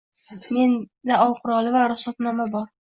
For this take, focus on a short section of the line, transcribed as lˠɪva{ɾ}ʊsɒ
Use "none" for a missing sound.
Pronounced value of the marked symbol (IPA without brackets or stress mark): ɾ